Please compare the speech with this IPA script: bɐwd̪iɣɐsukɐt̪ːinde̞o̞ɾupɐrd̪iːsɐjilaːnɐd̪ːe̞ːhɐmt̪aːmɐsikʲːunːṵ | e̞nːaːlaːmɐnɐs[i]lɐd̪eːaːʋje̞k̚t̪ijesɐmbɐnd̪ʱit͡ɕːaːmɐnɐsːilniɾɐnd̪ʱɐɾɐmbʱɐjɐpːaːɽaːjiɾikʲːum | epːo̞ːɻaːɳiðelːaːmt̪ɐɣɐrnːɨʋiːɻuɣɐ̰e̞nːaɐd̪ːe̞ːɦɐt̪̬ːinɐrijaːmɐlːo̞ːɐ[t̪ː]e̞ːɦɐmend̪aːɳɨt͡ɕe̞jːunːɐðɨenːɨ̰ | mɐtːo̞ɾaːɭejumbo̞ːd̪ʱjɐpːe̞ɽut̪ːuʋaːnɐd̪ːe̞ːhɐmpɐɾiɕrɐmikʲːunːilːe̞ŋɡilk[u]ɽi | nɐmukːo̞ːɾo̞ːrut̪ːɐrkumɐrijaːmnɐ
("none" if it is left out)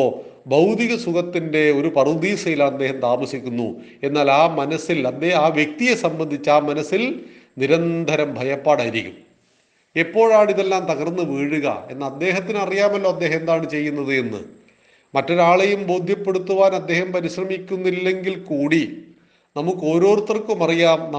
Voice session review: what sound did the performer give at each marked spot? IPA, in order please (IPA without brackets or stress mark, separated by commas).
i, d̪ː, uː